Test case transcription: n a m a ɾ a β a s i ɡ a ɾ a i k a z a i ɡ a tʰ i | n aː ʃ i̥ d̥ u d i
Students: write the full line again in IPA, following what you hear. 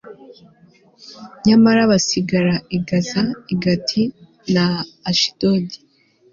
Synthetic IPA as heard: ɲ a m a ɾ a β a s i ɡ a ɾ a i ɡ a z a i ɡ a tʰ i | n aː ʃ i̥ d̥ o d i

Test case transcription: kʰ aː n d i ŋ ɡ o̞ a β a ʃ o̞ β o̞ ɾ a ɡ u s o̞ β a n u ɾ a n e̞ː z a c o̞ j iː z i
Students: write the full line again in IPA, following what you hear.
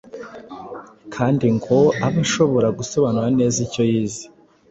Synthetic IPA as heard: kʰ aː n d i ŋ ɡ o̞ a β a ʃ o̞ β o̞ ɾ a ɡ u s o̞ β a n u ɾ a n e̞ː z i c o̞ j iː z i

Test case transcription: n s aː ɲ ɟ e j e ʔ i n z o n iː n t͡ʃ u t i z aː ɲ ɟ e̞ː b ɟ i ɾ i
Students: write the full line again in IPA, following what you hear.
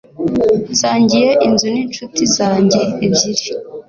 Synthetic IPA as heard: n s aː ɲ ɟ i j e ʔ i n z u n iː n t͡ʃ u t i z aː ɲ ɟ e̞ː b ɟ i ɾ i

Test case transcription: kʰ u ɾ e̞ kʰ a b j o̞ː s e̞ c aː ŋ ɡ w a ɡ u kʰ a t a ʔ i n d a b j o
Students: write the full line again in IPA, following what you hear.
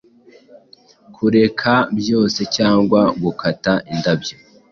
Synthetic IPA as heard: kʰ u ɾ e̞ kʰ a b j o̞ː s e̞ c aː ŋ ɡ w a ɡ u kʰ a t a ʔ i n d a b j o

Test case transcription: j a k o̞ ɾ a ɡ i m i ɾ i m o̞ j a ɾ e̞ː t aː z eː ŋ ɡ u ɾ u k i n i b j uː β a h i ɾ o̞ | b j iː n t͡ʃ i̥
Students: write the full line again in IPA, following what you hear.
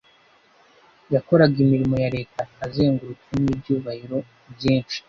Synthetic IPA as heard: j a k o̞ ɾ a ɡ i m i ɾ i m o̞ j a ɾ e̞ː t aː z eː ŋ ɡ u ɾ u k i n i b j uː β a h i ɾ o̞ | b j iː n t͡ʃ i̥

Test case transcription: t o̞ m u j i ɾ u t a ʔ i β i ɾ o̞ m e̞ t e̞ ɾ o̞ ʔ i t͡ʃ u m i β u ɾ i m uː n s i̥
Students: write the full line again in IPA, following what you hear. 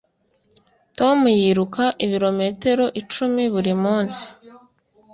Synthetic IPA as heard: t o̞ m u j i ɾ u k a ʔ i β i ɾ o̞ m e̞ t e̞ ɾ o̞ ʔ i t͡ʃ u m i β u ɾ i m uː n s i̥

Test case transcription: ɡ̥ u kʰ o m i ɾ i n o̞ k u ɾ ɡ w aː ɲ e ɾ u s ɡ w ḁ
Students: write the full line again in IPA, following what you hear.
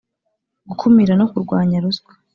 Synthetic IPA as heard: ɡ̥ u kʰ u m i ɾ a n o̞ k u ɾ ɡ w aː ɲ a ɾ u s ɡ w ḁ

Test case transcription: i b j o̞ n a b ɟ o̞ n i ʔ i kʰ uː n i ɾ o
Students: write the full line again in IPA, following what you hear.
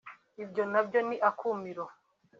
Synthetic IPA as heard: i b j o̞ n a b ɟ o̞ n i ʔ a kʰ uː m i ɾ o

